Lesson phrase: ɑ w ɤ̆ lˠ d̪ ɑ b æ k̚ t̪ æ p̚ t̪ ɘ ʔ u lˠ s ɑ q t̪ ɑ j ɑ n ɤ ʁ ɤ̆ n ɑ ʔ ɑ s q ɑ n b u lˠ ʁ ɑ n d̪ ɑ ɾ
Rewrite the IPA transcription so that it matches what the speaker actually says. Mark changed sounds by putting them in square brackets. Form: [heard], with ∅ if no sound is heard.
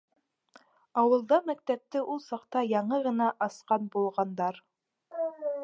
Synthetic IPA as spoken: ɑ w ɤ̆ lˠ d̪ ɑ [m] æ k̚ t̪ æ p̚ t̪ ɘ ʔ u lˠ s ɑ q t̪ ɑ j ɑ [ɴ] ɤ ʁ ɤ̆ n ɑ ʔ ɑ s q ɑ n b u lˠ ʁ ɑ n d̪ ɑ ɾ

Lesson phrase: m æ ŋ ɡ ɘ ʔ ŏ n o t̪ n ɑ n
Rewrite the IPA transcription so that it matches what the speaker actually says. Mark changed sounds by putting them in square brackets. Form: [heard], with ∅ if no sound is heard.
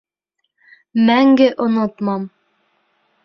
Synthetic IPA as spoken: m æ ŋ ɡ ɘ ʔ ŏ n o t̪ [m] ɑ [m]

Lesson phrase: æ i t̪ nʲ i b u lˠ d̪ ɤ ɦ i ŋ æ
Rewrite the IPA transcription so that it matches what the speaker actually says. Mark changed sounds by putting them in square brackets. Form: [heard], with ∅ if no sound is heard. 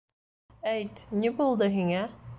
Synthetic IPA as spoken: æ [j] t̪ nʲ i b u lˠ d̪ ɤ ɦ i ŋ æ

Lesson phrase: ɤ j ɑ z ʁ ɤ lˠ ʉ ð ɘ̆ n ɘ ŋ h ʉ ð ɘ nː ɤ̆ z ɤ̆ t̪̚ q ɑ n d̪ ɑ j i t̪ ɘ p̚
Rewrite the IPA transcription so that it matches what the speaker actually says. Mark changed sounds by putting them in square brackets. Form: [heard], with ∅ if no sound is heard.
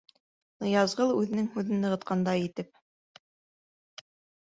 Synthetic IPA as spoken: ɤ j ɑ z ʁ ɤ lˠ ʉ ð ɘ̆ n ɘ ŋ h ʉ ð ɘ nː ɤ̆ [ʁ] ɤ̆ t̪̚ q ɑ n d̪ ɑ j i t̪ ɘ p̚

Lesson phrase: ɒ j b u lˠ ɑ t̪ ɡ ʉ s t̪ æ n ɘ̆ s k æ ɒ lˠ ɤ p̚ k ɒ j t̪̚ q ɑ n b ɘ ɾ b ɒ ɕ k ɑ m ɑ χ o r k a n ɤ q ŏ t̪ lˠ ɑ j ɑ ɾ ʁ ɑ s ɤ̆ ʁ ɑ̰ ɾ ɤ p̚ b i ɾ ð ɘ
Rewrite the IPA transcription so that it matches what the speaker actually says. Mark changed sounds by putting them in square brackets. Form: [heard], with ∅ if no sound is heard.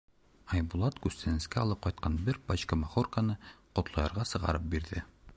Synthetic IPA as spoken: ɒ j b u lˠ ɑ t̪ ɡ ʉ s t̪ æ n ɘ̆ s k æ ɒ lˠ ɤ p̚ [q] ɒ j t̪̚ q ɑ n b ɘ ɾ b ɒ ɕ k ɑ m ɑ χ o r k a n ɤ q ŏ t̪ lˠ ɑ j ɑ ɾ ʁ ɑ s ɤ̆ ʁ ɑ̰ ɾ ɤ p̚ b i ɾ ð ɘ

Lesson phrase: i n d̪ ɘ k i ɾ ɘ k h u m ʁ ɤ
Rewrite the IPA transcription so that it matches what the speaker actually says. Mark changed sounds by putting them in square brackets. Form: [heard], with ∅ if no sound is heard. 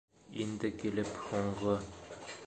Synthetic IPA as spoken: i n d̪ ɘ k i [l] ɘ [p] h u [ɴ] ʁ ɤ

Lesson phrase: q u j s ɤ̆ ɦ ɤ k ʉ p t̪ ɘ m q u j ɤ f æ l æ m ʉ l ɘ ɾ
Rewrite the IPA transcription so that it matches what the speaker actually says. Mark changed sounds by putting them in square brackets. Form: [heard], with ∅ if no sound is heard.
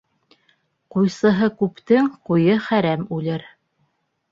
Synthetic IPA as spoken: q u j s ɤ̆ ɦ ɤ k ʉ p t̪ ɘ [ŋ] q u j ɤ [χ] æ [ɾ] æ m ʉ l ɘ ɾ

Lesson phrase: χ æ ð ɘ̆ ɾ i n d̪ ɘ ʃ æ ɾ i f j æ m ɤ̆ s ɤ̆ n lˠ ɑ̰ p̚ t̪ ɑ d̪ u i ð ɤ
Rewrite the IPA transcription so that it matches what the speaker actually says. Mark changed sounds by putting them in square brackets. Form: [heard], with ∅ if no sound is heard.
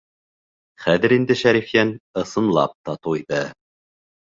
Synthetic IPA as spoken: χ æ ð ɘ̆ ɾ i n d̪ ɘ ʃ æ ɾ i f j æ [n] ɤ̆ s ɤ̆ n lˠ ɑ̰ p̚ t̪ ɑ [t̪] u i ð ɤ

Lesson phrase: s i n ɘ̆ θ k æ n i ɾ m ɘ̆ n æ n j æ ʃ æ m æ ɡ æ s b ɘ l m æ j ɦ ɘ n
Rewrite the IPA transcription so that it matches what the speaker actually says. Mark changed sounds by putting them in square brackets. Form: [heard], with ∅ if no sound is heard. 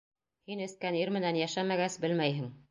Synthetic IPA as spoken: [h] i n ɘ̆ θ k æ n i ɾ m ɘ̆ n æ n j æ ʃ æ m æ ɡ æ s b ɘ l m æ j ɦ ɘ [ŋ]

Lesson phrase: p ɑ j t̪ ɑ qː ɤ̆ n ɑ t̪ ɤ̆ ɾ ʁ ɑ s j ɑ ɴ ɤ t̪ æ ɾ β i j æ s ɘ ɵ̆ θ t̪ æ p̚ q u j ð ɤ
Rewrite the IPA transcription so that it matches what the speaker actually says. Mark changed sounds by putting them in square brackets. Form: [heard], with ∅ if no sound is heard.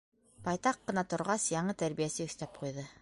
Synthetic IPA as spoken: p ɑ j t̪ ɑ qː ɤ̆ n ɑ t̪ [ŏ] ɾ ʁ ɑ s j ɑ ɴ ɤ t̪ æ ɾ β i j æ s ɘ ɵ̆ θ t̪ æ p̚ q u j ð ɤ

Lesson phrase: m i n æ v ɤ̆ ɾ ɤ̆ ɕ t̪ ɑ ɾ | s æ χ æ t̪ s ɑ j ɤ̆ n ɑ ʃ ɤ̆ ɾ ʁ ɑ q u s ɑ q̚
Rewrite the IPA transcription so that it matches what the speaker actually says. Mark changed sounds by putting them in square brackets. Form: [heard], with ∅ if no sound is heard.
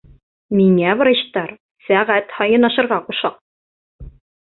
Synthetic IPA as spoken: m i [ŋ] æ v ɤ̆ ɾ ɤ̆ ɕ t̪ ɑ ɾ | s æ [ʁ] æ t̪ [h] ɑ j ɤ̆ n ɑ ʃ ɤ̆ ɾ ʁ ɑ q u [ʃ] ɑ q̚

